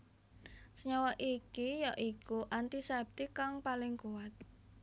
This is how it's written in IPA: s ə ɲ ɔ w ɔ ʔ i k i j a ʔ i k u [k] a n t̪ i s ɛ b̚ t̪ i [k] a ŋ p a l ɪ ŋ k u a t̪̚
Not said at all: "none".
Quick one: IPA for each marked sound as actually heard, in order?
ʔ, k

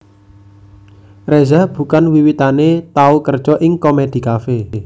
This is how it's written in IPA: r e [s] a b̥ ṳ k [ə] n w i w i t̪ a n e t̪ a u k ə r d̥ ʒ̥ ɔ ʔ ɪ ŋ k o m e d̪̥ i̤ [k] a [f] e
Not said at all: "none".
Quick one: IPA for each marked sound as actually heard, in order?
z, a, k, f

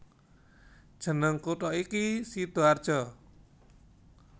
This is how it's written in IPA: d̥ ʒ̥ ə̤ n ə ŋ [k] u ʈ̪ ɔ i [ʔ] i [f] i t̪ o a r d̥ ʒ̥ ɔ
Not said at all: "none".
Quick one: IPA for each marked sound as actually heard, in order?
k, k, s

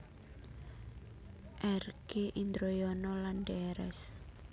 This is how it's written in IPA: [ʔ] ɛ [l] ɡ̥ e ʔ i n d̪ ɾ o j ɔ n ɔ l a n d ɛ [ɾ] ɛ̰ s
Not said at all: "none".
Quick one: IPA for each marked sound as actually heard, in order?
ʔ, r, ɾ

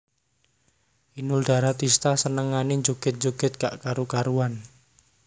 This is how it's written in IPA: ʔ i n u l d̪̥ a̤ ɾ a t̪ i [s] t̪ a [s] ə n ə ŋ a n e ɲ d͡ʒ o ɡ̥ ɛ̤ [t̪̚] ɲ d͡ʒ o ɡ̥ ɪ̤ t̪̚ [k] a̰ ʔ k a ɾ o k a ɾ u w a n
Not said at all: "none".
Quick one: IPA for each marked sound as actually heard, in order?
s, s, t̪̚, k

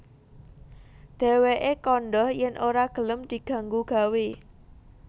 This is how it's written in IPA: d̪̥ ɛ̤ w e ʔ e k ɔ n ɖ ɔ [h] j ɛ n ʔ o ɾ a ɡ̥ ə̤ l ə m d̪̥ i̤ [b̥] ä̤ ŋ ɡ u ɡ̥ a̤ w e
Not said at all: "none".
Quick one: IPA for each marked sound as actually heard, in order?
h, ɡ̥

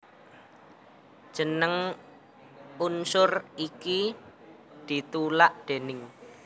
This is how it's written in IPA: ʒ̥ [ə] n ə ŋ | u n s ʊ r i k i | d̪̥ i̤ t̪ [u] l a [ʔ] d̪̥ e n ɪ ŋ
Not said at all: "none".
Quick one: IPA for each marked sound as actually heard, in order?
ə, u, ʔ

